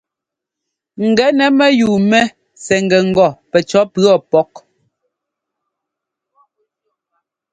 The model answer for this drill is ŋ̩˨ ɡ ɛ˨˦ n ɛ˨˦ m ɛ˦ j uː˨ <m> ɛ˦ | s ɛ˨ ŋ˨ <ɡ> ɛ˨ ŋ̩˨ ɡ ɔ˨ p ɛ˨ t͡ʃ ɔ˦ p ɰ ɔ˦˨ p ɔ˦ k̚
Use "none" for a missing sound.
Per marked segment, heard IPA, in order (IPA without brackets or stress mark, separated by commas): m, ɡ